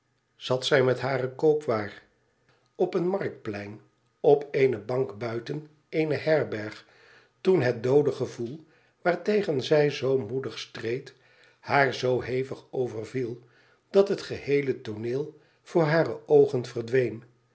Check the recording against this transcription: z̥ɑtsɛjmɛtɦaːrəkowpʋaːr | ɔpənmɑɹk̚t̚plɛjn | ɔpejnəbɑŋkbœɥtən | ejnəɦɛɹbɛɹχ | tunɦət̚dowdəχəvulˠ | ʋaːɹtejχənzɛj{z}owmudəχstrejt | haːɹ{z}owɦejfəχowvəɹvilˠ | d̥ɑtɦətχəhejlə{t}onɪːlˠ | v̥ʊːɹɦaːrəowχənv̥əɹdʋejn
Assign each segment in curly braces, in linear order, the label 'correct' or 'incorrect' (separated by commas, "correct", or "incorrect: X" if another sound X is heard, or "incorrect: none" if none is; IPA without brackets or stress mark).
correct, correct, correct